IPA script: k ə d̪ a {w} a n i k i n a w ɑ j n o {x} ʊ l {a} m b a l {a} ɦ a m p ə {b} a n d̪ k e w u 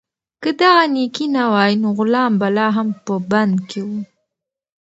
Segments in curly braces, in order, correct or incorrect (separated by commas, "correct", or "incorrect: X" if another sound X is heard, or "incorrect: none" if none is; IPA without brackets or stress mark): incorrect: ɣ, incorrect: ɣ, incorrect: ɑ, incorrect: ɑ, correct